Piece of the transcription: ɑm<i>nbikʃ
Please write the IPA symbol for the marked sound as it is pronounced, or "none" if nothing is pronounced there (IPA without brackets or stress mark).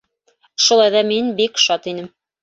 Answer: i